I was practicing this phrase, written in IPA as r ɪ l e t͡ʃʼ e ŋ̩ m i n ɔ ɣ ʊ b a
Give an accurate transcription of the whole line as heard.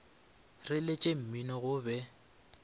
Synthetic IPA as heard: r ɪ l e t͡ʃʼ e m̩ m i n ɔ ɣ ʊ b ɛ